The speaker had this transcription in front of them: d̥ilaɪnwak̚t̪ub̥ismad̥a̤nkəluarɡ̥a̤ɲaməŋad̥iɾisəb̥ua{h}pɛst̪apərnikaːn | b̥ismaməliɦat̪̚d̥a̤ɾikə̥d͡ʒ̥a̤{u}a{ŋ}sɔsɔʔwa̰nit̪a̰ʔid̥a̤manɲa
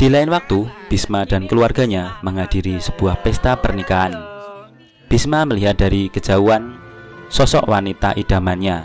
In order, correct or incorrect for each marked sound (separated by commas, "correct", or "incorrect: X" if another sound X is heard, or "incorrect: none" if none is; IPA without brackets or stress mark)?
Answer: correct, correct, incorrect: n